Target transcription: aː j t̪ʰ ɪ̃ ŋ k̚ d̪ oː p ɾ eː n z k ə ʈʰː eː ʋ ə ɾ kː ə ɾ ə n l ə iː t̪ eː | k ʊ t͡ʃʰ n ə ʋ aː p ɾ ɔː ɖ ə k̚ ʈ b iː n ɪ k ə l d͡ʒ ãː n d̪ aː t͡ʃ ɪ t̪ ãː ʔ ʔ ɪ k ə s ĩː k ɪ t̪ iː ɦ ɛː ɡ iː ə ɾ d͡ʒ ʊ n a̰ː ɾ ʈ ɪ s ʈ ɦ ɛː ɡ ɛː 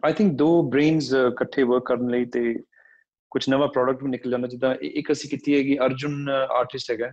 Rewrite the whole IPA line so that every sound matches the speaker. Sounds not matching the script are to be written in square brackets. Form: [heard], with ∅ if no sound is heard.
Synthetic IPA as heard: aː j t̪ʰ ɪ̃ ŋ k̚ d̪ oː [b] ɾ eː n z k ə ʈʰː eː ʋ ə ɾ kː ə ɾ ə n l ə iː t̪ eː | k ʊ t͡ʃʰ n ə ʋ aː p ɾ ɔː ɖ ə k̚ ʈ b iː n ɪ k ə l d͡ʒ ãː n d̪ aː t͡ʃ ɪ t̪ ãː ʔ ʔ ɪ k ə s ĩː k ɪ t̪ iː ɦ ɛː ɡ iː ə ɾ d͡ʒ ʊ n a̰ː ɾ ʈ ɪ s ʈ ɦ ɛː ɡ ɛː